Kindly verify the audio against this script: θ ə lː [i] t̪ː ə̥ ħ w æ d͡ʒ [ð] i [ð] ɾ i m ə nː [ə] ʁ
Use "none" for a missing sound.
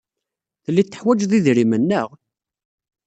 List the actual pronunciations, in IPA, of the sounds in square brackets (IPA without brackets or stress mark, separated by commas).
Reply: i, ð, ð, ə